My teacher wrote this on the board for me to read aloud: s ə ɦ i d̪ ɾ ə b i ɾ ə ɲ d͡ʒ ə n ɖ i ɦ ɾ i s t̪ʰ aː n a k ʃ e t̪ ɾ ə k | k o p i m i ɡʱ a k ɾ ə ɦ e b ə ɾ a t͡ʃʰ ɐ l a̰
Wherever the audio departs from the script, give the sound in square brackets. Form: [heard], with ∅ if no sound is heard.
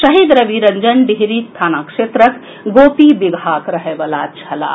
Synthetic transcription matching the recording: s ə ɦ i d̪ ɾ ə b i ɾ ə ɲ d͡ʒ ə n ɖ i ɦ ɾ i s t̪ʰ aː n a k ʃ e t̪ ɾ ə k | [ɡ] o p i [b] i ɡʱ a k ɾ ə ɦ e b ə [l] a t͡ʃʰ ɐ l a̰